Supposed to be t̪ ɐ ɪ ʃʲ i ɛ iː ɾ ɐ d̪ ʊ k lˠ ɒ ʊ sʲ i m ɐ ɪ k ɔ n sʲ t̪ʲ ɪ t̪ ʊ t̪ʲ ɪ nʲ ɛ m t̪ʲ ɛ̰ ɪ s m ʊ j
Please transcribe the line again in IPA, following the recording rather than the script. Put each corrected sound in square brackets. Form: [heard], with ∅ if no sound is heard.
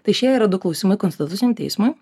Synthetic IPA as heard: t̪ ɐ ɪ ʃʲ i ɛ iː ɾ ɐ d̪ ʊ k lˠ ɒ ʊ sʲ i m ɐ ɪ k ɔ n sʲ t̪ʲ ɪ t̪ ʊ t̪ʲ ɪ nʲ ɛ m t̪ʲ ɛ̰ ɪ s m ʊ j